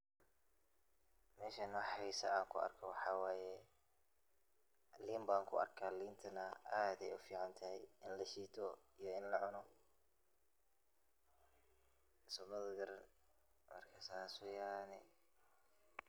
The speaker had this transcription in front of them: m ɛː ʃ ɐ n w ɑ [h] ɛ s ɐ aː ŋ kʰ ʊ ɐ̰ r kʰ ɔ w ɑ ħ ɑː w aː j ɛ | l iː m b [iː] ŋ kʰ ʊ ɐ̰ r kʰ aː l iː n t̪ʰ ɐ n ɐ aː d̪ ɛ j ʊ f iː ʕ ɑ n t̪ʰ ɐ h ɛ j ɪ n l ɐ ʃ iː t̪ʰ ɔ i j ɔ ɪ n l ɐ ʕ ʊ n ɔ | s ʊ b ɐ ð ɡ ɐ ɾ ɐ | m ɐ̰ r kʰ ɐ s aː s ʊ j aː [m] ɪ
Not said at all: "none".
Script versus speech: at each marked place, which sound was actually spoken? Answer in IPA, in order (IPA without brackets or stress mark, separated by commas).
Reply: ħ, aː, n